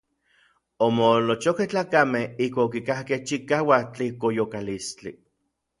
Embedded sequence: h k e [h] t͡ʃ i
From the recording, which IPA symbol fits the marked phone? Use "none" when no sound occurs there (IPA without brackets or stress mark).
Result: h